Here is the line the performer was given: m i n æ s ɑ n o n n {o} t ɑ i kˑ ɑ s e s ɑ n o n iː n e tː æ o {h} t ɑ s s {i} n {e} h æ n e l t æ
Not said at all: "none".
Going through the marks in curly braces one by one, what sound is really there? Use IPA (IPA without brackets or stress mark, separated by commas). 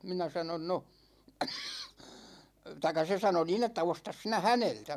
o, s, i, æ